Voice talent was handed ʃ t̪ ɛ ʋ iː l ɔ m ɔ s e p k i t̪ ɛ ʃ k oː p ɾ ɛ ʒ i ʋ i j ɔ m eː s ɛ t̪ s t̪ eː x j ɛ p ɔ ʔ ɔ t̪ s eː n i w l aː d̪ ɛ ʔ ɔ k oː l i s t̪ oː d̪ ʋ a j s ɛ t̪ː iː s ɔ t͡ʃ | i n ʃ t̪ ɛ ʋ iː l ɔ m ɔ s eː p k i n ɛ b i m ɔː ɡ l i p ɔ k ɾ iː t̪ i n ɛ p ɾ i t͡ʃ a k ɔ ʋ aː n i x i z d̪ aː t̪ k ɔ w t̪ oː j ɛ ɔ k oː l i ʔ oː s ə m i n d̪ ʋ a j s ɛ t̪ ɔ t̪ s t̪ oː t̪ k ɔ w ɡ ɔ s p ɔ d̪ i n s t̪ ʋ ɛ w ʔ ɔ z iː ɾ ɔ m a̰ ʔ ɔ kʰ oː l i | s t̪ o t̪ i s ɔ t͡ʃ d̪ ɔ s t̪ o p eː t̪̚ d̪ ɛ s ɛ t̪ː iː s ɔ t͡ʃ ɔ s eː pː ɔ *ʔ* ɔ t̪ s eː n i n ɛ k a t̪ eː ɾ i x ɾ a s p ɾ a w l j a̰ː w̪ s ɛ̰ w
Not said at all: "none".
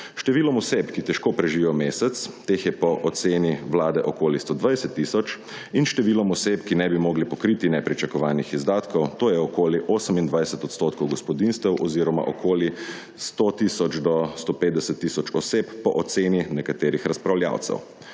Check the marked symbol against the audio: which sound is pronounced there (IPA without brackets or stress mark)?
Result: ʔ